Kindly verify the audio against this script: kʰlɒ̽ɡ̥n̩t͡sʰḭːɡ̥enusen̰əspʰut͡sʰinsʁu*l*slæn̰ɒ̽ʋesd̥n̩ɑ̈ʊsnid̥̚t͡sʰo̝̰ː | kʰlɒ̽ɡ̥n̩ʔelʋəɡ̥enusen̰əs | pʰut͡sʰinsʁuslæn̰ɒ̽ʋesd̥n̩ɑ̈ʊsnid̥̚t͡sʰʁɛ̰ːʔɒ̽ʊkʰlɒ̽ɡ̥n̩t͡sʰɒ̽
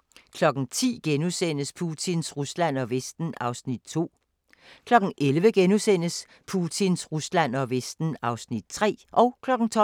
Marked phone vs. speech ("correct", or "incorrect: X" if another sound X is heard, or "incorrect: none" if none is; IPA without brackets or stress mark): incorrect: none